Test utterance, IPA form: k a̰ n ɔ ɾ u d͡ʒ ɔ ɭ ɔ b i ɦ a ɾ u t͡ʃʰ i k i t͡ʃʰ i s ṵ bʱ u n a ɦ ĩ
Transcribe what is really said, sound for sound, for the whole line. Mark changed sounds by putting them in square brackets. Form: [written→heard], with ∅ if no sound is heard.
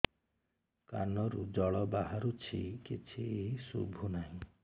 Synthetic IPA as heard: k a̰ n ɔ ɾ u d͡ʒ ɔ ɭ ɔ b [i→a] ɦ a ɾ u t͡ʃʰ i k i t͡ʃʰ i s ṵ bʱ u n a ɦ ĩ